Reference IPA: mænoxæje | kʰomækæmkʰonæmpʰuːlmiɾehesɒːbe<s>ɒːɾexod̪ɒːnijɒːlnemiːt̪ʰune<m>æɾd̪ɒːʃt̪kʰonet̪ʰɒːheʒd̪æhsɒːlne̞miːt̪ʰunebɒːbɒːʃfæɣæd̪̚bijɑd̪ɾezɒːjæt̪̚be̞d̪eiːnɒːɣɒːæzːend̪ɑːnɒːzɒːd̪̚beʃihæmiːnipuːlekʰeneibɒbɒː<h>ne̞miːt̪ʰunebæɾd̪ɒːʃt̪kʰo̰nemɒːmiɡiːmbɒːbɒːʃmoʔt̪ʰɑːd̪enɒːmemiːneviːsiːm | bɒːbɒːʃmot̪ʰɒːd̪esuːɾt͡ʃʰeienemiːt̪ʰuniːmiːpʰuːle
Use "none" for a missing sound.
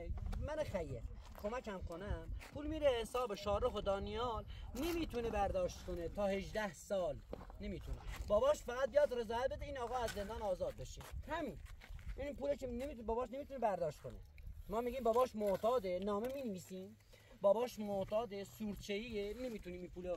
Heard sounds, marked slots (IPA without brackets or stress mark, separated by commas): ʃ, b, ʃ